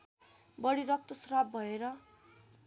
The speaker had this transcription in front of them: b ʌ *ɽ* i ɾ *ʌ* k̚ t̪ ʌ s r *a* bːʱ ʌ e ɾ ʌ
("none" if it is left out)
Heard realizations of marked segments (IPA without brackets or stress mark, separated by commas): ɽ, ʌ, a